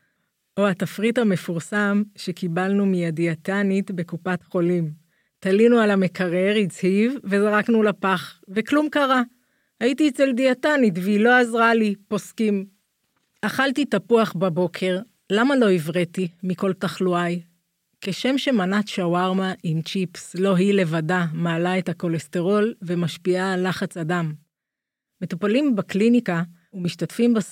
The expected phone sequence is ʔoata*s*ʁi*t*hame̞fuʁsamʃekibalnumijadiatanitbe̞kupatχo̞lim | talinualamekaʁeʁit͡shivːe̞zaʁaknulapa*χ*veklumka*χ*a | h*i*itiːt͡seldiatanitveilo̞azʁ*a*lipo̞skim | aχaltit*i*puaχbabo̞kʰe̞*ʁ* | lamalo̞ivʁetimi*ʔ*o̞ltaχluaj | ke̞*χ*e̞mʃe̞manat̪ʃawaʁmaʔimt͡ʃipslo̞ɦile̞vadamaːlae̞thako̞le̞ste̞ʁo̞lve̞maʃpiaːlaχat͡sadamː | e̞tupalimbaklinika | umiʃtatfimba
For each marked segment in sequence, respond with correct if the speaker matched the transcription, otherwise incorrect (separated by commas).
incorrect, correct, correct, incorrect, incorrect, correct, incorrect, correct, incorrect, incorrect